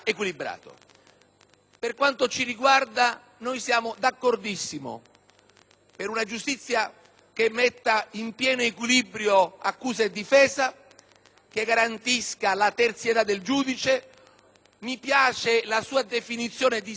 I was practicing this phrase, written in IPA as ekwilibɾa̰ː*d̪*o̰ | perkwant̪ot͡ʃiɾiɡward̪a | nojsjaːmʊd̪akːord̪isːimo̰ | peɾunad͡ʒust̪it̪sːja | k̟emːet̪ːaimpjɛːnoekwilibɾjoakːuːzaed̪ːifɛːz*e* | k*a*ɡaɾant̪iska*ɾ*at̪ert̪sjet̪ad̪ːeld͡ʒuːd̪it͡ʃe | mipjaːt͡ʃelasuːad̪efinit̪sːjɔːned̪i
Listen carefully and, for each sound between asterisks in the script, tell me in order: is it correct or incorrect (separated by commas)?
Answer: incorrect, incorrect, incorrect, incorrect